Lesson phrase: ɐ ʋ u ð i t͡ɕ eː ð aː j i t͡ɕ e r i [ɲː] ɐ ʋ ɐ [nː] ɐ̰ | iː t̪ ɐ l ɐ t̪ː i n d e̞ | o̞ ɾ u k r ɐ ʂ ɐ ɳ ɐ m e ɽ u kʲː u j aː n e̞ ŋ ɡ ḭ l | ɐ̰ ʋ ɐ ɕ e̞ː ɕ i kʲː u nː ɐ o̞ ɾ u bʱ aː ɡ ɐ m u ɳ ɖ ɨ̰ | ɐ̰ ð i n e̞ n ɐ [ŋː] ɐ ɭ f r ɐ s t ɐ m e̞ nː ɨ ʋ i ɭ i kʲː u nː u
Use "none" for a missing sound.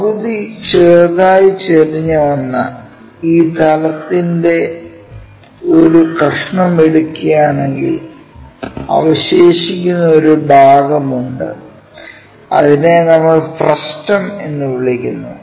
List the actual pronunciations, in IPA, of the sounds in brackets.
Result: ɲː, nː, mː

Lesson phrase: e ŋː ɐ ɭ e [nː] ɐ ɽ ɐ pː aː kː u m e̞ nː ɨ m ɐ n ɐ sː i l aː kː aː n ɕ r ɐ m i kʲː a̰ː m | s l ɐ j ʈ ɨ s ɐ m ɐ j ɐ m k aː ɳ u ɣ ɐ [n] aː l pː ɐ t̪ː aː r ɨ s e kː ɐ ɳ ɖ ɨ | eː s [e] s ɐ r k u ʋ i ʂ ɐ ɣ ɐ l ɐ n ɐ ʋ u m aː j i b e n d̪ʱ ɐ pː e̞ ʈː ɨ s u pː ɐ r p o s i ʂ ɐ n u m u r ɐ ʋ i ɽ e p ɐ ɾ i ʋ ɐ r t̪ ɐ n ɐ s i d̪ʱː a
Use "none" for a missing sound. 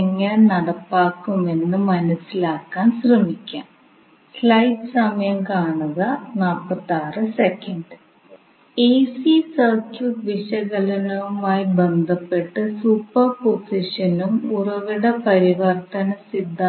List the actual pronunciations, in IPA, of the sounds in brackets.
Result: n, n, i

